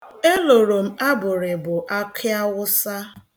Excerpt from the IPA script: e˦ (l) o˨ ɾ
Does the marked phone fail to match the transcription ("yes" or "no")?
no